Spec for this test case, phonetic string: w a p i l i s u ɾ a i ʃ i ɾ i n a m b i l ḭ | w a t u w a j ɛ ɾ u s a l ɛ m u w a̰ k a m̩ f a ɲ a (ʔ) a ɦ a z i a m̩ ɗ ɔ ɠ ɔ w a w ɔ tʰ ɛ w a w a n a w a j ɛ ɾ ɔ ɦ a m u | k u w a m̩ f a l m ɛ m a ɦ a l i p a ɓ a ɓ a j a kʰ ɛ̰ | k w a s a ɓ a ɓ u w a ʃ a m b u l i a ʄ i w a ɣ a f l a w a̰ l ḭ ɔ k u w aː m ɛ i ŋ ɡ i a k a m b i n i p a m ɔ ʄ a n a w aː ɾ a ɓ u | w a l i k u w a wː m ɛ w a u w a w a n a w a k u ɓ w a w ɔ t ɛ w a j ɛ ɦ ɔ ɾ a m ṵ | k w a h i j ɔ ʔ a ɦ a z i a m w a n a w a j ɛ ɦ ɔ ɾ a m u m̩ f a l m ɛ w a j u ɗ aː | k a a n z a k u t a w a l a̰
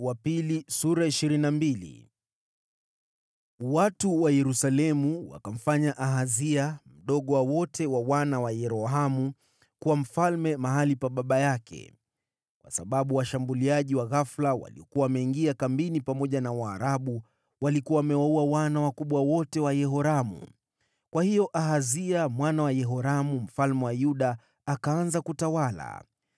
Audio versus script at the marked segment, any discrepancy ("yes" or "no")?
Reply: no